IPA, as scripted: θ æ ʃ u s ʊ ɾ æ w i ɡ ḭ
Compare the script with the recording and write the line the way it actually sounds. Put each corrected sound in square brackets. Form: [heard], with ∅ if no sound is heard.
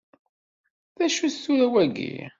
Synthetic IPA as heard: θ æ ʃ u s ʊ ɾ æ w [æ] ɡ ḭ